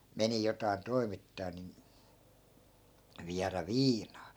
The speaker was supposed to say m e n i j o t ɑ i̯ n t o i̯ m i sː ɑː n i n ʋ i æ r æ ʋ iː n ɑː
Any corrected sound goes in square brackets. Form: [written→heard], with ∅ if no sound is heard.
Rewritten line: m e n i j o t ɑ i̯ n t o i̯ m i [sː→tː] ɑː n i n ʋ i æ r æ ʋ iː n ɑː